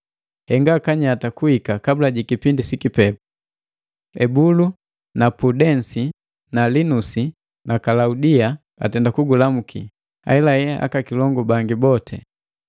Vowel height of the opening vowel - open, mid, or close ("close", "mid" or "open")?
mid